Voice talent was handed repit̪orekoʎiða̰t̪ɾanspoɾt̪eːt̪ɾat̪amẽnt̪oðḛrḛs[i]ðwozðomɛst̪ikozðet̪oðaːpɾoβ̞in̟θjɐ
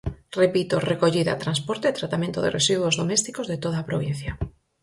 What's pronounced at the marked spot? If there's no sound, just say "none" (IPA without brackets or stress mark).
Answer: i